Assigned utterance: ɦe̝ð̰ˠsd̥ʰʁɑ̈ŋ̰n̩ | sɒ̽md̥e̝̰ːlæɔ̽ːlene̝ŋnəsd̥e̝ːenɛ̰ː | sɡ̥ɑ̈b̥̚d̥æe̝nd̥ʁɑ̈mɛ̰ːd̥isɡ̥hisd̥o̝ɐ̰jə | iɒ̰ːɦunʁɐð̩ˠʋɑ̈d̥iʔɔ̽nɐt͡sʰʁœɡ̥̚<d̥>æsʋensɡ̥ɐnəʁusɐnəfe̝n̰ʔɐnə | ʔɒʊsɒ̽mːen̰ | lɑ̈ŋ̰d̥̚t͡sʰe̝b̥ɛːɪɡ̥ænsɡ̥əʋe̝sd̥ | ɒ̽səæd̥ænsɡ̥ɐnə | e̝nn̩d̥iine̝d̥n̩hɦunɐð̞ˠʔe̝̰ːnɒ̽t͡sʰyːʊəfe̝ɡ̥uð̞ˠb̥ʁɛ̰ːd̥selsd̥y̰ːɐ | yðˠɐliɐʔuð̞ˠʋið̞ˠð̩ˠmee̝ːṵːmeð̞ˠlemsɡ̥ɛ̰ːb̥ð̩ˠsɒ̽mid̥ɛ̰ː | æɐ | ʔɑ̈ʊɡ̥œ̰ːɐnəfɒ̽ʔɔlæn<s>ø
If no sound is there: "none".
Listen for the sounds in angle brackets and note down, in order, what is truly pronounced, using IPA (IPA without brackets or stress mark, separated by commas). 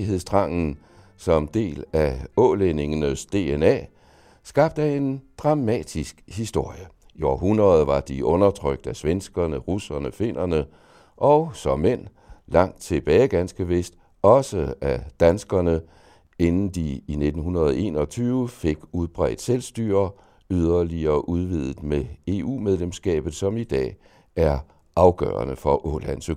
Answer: d̥, s